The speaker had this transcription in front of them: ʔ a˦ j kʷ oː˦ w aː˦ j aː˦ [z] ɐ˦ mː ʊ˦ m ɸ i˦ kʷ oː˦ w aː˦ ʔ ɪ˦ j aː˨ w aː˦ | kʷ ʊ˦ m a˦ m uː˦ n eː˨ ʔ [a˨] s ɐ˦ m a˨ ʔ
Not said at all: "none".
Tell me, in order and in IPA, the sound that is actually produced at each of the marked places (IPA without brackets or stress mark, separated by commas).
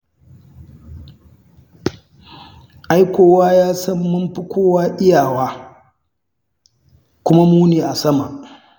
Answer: s, a˨